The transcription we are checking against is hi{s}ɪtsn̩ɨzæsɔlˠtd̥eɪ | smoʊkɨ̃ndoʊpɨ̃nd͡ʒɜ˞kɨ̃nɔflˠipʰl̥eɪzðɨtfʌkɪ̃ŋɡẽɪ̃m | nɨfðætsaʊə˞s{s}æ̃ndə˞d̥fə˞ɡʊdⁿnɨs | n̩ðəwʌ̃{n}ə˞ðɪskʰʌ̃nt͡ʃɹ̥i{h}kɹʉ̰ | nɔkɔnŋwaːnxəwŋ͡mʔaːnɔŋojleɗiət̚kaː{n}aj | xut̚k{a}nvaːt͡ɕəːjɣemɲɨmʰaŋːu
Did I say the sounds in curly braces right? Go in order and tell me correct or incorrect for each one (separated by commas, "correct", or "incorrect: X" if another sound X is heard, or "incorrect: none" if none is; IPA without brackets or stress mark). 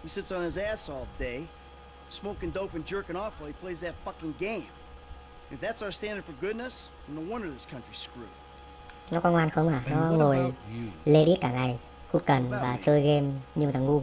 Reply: correct, incorrect: t, correct, incorrect: s, incorrect: ŋ, incorrect: ə